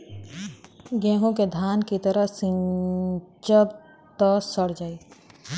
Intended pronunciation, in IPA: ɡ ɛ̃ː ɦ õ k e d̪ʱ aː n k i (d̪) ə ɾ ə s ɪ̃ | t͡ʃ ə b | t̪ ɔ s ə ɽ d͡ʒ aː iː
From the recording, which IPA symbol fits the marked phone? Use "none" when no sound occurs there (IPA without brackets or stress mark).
t̪